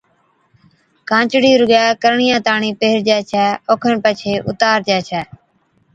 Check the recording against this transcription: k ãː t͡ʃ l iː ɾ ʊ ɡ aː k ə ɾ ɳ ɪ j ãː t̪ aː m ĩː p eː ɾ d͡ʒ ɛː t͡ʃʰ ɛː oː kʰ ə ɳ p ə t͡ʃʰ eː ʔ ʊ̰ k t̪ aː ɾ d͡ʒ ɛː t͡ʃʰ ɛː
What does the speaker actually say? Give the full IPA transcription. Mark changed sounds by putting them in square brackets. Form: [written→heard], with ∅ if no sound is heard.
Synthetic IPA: k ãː t͡ʃ [l→ɽ] iː ɾ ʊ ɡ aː k ə ɾ ɳ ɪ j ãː t̪ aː [m→ɳ] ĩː p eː ɾ d͡ʒ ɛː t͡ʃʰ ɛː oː kʰ ə ɳ p ə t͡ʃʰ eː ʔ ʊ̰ [k→∅] t̪ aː ɾ d͡ʒ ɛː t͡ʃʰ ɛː